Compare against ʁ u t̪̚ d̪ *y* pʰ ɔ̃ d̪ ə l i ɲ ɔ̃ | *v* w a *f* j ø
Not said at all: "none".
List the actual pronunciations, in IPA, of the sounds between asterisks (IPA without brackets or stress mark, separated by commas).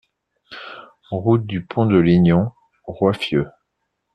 y, ʁ, f